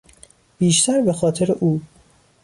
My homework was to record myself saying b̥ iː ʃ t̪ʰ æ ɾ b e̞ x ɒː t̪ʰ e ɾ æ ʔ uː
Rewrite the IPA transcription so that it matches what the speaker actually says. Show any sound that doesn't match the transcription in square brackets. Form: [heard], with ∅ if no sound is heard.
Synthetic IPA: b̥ iː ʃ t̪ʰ æ ɾ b e̞ x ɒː t̪ʰ e ɾ [e] ʔ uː